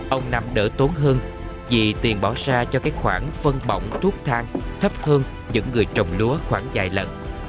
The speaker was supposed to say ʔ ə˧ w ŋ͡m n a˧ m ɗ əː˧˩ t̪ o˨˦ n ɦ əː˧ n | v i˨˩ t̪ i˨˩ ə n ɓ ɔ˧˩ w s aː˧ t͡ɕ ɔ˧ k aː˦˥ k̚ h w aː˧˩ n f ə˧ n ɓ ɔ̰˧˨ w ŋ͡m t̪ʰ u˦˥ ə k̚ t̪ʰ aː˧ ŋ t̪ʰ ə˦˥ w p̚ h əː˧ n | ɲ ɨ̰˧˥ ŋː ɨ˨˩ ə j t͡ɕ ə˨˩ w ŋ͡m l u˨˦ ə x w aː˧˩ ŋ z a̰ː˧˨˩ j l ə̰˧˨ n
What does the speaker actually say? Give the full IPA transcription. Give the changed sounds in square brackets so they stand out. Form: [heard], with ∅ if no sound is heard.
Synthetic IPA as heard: ʔ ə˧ w ŋ͡m n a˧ m ɗ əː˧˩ t̪ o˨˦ n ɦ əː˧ n | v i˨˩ t̪ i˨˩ ə n ɓ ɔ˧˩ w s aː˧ t͡ɕ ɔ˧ k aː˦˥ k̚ [x] w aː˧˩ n f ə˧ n ɓ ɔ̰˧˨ w ŋ͡m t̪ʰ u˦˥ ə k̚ t̪ʰ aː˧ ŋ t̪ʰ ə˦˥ [∅] p̚ h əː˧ n | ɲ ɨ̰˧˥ ŋː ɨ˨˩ ə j t͡ɕ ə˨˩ w ŋ͡m l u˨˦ ə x w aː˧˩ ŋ z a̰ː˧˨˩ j l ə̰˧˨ n